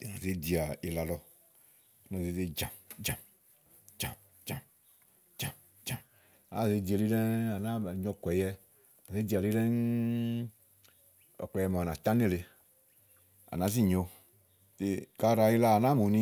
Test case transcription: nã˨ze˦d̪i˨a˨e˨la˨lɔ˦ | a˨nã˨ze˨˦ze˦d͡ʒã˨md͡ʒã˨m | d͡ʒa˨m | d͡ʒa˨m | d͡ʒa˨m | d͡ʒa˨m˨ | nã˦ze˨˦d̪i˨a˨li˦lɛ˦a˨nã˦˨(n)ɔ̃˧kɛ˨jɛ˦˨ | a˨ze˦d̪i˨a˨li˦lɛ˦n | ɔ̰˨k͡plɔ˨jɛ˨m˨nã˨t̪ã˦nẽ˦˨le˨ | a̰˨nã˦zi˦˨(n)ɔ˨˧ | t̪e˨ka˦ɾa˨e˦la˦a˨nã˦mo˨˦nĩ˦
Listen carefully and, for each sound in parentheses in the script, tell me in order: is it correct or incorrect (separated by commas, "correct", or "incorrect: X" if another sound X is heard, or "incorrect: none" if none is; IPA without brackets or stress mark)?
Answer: incorrect: ɲ, incorrect: ɲ